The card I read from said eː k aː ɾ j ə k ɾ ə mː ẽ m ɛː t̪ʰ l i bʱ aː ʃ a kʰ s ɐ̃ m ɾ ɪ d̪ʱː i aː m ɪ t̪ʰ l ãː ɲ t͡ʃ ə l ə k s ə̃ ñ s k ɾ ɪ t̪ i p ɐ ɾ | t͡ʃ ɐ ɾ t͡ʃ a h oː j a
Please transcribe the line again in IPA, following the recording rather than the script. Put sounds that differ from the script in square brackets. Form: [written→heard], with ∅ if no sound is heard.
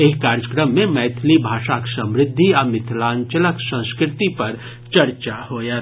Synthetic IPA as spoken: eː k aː ɾ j ə k ɾ ə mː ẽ m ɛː t̪ʰ l i bʱ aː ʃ a [kʰ→k] s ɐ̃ m ɾ ɪ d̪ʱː i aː m ɪ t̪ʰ l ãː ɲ t͡ʃ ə l ə k s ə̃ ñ s k ɾ ɪ t̪ i p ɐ ɾ | t͡ʃ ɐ ɾ t͡ʃ a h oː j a